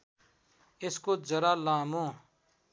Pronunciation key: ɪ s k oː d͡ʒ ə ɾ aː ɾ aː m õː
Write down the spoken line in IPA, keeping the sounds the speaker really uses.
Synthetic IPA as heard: ɪ s k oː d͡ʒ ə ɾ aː l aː m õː